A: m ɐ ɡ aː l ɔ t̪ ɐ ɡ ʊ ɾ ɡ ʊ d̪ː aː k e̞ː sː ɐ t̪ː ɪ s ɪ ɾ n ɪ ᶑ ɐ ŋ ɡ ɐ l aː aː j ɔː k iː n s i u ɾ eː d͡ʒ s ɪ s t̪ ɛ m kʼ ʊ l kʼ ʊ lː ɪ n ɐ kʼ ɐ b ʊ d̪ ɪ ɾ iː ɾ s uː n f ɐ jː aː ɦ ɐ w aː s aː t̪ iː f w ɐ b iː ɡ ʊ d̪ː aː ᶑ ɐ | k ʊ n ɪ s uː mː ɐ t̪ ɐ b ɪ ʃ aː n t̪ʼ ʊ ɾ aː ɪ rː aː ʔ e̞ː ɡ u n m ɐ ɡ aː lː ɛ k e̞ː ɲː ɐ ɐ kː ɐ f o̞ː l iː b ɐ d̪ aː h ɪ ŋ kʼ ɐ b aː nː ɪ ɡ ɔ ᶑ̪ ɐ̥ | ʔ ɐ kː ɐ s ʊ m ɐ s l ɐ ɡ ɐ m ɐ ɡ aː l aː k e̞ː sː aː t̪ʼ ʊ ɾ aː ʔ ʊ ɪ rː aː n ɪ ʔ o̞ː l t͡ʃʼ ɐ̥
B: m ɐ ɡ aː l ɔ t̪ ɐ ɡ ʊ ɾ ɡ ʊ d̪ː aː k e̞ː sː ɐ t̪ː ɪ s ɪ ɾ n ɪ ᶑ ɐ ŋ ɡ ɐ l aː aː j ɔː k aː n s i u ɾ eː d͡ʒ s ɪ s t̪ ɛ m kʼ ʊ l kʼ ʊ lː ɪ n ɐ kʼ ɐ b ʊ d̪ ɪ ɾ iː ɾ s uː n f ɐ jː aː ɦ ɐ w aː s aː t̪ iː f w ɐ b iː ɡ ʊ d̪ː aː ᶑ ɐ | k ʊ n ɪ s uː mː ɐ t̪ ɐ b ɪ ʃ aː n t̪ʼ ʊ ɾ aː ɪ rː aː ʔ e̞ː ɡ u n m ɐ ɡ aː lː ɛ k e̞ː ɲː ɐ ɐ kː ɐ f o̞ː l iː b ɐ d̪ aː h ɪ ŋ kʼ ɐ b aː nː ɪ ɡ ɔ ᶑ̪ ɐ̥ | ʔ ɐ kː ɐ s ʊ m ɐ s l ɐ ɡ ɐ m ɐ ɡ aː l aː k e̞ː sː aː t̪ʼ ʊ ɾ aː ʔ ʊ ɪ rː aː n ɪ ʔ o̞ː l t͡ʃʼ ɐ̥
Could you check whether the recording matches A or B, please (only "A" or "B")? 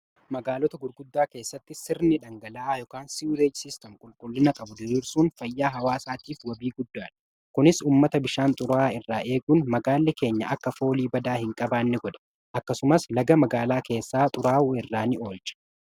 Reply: B